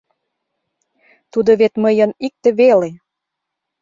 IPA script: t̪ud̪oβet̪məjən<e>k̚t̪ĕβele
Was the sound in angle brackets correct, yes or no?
no